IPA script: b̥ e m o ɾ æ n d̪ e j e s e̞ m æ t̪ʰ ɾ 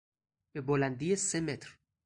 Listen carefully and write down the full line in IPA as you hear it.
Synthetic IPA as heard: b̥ e b o l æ n d̪ i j e s e̞ m e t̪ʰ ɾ